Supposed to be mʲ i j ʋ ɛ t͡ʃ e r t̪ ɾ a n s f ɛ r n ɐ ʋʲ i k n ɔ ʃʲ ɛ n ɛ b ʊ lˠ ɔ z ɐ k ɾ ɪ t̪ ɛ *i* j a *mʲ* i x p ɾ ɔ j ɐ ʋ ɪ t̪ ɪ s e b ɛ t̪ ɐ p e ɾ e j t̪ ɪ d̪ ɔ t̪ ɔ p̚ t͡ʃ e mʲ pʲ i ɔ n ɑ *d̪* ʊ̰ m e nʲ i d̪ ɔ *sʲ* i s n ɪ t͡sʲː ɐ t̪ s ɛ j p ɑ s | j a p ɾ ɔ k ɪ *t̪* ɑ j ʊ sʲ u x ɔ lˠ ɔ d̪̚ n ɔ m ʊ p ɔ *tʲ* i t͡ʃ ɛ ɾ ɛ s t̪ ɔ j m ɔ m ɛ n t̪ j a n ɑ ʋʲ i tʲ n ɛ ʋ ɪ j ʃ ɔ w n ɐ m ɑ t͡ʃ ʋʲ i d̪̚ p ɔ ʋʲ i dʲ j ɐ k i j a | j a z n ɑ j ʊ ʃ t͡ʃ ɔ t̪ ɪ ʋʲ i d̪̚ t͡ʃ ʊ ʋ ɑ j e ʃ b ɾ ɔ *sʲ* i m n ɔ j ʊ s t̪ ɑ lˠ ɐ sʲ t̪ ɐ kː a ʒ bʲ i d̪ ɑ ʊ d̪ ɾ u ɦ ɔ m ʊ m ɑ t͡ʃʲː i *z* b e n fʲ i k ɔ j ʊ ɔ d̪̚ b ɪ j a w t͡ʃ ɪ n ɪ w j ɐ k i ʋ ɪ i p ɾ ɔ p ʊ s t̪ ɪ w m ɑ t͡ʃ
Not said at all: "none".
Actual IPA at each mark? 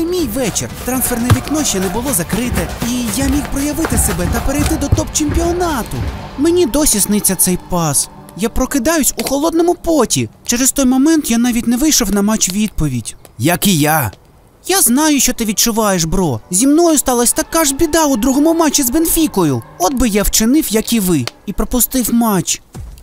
i, mʲ, t̪, sʲ, d̪, tʲ, zʲ, z

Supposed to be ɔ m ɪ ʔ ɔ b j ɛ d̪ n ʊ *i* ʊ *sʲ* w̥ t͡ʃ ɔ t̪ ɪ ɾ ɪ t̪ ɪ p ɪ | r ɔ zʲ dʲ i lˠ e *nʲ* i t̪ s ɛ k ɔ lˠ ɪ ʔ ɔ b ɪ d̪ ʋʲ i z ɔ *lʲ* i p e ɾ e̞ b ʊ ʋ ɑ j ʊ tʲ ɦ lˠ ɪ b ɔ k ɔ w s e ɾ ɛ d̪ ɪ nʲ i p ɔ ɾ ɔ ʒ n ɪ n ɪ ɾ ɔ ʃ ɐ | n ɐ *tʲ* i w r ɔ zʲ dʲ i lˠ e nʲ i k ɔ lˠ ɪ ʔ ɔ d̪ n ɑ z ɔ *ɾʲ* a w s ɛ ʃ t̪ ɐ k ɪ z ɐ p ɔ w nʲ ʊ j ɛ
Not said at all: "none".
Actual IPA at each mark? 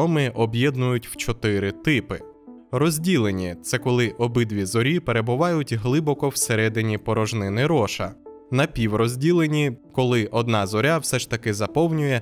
j, tʲ, nʲ, ɾʲ, pʲ, ɾʲ

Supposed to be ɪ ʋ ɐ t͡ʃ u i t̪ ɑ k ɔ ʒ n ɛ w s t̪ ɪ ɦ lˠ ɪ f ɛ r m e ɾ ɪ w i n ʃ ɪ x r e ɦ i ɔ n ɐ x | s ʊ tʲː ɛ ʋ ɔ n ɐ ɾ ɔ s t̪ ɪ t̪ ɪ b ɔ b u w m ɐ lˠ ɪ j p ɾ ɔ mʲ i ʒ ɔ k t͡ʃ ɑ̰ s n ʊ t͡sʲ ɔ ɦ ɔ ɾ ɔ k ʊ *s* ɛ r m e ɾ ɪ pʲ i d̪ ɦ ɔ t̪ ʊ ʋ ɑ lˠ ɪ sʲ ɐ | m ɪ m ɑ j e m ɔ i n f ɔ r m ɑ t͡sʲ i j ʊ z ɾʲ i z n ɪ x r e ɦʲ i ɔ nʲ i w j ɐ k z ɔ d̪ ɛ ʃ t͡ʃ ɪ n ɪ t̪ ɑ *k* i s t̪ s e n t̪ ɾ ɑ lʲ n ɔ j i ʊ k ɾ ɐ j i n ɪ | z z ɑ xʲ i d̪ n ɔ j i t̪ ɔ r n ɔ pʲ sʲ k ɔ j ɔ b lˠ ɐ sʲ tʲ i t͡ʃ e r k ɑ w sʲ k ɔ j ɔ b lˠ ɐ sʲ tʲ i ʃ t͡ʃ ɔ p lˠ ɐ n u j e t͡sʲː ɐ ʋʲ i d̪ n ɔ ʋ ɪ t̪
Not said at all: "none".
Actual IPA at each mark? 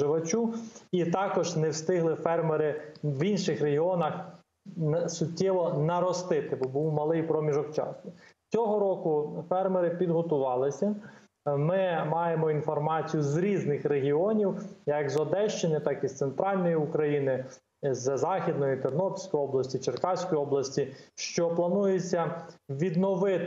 f, k

